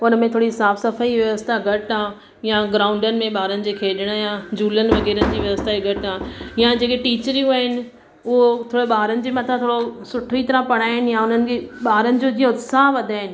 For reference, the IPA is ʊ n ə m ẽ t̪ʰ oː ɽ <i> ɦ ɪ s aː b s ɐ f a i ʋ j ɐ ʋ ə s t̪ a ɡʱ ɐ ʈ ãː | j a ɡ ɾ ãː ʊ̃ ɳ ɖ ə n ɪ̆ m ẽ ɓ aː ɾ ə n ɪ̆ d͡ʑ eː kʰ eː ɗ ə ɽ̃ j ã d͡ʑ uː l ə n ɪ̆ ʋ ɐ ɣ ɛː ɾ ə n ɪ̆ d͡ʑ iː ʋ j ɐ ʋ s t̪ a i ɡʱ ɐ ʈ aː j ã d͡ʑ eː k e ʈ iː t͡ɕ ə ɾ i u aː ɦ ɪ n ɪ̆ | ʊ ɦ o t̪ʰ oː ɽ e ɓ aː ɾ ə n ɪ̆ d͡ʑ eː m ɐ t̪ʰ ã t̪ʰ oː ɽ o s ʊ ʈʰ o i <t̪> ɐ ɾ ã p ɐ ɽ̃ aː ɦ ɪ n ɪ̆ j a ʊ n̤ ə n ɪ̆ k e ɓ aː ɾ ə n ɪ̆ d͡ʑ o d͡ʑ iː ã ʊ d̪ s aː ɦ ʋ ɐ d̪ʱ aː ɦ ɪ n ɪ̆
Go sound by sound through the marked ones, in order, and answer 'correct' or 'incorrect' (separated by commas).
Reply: correct, correct